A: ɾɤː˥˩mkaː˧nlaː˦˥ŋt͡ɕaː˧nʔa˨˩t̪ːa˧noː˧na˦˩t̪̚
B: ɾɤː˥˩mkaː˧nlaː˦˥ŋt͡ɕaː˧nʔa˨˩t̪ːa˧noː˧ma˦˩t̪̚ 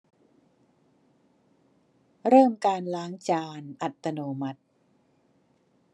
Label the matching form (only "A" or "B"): B